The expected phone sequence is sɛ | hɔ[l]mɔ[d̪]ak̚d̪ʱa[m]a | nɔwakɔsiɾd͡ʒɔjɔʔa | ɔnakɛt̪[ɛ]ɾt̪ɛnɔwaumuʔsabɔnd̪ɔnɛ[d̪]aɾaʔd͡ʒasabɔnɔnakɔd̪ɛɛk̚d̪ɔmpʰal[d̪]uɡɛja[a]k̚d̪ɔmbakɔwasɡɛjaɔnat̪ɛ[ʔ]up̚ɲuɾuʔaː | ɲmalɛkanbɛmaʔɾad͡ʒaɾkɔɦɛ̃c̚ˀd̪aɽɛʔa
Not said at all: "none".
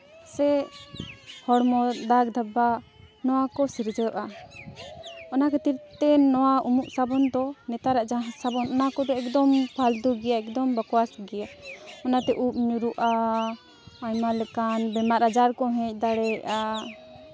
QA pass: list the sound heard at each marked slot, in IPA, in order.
ɽ, d̪, b, i, t̪, d̪, ɛ, ʔ

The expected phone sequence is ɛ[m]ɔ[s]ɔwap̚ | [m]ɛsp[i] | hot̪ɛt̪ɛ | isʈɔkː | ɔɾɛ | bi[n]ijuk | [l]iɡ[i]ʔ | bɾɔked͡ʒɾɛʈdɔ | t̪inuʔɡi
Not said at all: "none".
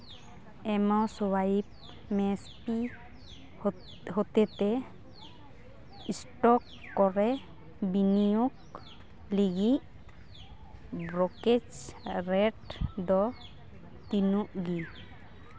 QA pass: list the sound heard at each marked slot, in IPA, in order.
m, s, m, i, n, l, i

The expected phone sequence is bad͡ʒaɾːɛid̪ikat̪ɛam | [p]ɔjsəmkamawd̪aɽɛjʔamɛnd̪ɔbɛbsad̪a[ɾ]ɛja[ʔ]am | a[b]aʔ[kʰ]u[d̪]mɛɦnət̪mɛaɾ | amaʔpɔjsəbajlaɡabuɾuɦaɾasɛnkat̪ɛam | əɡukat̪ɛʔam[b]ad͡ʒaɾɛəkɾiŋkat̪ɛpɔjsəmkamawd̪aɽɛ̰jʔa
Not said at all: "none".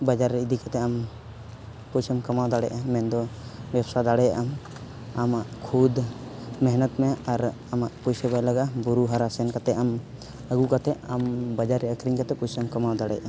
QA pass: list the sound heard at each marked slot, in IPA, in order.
p, ɽ, ʔ, m, kʰ, d̪, b

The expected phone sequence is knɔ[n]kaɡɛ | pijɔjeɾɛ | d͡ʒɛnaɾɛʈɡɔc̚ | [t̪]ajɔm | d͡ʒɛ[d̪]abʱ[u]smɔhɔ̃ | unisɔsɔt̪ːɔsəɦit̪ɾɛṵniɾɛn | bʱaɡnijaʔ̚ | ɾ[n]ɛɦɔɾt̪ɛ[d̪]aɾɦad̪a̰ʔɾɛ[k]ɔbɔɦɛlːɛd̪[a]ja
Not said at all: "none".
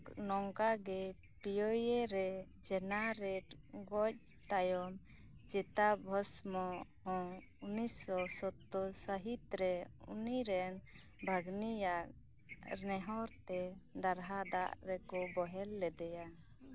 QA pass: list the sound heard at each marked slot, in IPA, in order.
ŋ, t̪, t̪, ɔ, n, d̪, k, ɛ

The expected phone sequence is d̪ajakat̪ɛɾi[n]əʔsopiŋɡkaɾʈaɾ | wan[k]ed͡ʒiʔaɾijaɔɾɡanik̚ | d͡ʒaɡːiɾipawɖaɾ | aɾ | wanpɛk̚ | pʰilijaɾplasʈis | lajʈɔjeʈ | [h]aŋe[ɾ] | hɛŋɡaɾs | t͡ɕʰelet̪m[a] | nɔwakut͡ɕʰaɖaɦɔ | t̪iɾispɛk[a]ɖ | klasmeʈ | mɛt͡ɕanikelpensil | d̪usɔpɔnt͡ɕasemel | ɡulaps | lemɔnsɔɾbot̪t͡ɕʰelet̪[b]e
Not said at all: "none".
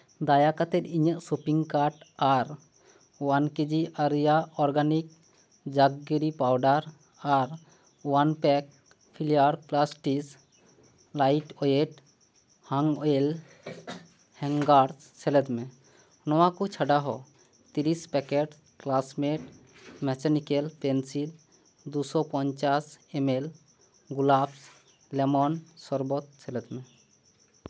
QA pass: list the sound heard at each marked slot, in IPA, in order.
ɲ, k, h, l, e, e, m

